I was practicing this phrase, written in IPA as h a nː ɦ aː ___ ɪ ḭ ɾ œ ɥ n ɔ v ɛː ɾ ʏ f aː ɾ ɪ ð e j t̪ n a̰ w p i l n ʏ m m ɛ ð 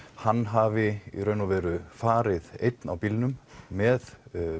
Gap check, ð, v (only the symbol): v